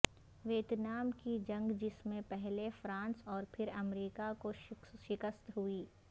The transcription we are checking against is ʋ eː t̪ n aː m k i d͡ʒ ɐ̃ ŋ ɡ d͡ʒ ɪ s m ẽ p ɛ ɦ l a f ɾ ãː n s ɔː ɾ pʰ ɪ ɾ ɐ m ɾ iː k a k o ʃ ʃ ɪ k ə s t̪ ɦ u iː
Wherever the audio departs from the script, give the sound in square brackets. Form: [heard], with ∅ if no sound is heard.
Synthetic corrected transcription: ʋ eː t̪ n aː m k i d͡ʒ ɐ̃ ŋ ɡ d͡ʒ ɪ s m ẽ p ɛ ɦ l [e] f ɾ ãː n s ɔː ɾ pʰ ɪ ɾ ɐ m ɾ iː k a k o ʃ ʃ ɪ k ə s t̪ ɦ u iː